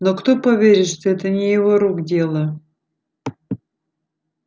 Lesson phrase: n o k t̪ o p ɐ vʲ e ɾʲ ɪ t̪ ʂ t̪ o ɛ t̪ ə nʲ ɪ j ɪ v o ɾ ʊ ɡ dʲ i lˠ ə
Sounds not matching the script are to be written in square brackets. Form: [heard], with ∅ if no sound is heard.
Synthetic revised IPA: n o k t̪ o p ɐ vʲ e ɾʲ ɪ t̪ ʂ t̪ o ɛ t̪ ə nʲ ɪ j ɪ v o ɾ [u] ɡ dʲ [e] lˠ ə